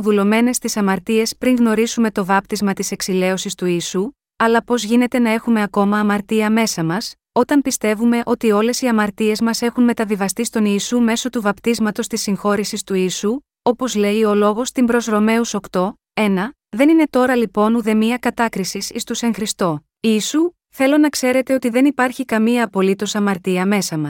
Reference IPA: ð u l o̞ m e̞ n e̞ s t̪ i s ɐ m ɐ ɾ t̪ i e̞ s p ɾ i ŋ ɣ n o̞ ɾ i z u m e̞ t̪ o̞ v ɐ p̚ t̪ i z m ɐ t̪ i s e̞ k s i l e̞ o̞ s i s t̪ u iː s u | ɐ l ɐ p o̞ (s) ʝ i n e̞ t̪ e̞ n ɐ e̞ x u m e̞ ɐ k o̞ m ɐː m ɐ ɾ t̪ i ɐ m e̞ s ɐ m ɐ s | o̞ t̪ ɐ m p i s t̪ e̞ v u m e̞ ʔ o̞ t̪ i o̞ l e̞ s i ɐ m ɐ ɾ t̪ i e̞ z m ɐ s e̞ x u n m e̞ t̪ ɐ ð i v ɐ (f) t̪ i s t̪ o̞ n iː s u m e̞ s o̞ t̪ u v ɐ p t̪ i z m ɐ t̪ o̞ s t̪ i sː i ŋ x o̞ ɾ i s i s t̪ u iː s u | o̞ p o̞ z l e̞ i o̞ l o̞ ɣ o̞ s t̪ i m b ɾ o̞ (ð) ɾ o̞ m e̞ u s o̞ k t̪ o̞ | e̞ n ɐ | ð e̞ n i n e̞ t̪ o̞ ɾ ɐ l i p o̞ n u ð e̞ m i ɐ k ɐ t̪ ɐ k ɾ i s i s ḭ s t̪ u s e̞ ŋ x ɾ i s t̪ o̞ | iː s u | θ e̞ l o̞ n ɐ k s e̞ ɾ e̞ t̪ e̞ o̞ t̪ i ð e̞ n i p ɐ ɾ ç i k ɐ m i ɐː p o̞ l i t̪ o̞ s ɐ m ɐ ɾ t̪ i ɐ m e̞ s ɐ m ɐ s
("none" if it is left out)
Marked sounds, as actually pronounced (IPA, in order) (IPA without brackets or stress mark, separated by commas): z, s, z